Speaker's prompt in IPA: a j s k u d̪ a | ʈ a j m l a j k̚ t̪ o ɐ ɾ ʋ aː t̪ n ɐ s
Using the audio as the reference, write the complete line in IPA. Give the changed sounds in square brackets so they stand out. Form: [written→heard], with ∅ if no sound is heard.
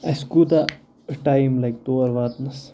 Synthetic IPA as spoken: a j s k u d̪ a | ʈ a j m l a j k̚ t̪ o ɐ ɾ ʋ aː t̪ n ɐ s